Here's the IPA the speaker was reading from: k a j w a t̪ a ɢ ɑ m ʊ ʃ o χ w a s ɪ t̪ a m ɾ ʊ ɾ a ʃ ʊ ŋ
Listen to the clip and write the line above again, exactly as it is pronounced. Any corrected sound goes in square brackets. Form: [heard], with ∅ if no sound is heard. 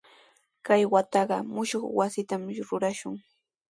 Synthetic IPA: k a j w a t̪ [ɑ] ɢ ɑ m ʊ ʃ o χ w a s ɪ t̪ a m ɾ ʊ ɾ a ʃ ʊ ŋ

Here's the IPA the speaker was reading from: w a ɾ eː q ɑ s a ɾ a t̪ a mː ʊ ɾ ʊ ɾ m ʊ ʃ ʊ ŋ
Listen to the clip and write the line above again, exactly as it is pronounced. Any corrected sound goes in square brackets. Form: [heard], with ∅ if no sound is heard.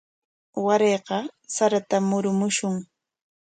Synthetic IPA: w a ɾ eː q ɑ s a ɾ a t̪ a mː ʊ ɾ ʊ [∅] m ʊ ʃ ʊ ŋ

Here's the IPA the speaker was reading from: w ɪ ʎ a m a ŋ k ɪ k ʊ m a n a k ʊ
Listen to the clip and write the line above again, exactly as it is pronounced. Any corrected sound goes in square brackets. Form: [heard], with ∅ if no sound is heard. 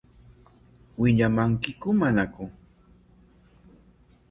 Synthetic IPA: w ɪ ʎ a m a ŋ k ɪ k ʊ m a n a k ʊ

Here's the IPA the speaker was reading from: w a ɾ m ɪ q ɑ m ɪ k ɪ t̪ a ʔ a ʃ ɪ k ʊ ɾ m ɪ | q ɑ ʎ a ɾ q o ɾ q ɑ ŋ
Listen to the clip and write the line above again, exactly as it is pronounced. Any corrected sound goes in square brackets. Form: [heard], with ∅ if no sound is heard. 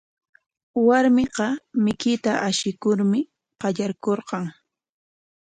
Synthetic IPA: w a ɾ m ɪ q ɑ m ɪ k ɪ t̪ a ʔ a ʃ ɪ k ʊ ɾ m ɪ | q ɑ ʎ a ɾ [k] o ɾ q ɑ ŋ

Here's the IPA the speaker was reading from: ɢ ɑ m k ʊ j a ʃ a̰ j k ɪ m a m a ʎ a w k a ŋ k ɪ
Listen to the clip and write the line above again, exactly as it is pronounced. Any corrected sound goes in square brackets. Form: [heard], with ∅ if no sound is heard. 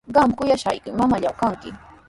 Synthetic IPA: ɢ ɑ m k ʊ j a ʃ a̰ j k ɪ m a m a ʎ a w k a ŋ k ɪ

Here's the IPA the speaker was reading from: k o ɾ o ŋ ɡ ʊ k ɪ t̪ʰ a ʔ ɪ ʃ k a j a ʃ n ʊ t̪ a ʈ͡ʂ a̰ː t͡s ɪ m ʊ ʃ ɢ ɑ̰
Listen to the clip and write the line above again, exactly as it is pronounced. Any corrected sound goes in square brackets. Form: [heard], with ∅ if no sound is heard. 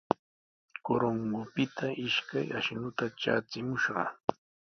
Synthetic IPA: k o ɾ o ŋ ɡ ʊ [p] ɪ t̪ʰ a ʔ ɪ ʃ k a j a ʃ n ʊ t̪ a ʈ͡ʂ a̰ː t͡s ɪ m ʊ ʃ ɢ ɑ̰

